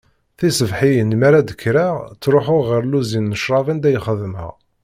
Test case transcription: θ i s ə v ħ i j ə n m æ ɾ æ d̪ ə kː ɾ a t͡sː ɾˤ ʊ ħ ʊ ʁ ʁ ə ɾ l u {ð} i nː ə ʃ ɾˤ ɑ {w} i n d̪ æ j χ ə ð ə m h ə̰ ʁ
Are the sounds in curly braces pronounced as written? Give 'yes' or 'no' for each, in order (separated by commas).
no, no